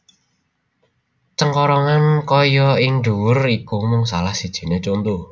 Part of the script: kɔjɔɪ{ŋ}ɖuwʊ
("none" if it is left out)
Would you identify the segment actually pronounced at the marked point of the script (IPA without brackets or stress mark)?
ŋ